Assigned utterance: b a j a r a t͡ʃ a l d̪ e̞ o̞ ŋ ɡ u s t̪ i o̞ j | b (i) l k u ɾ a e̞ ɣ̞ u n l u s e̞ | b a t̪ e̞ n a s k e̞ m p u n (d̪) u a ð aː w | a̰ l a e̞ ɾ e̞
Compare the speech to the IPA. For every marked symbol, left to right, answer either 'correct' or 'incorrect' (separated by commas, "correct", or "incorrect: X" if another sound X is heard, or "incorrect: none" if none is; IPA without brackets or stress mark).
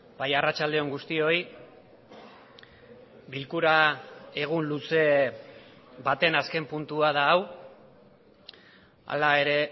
correct, incorrect: t̪